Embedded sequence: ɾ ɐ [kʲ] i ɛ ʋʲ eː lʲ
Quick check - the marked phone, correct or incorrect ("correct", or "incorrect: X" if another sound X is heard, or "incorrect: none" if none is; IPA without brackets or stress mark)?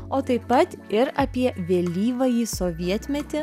incorrect: pʲ